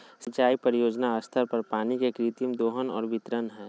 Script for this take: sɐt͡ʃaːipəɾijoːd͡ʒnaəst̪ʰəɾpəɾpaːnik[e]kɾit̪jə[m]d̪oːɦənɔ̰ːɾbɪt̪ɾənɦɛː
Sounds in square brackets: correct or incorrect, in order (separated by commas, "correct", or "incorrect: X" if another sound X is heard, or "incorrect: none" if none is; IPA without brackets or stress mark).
correct, correct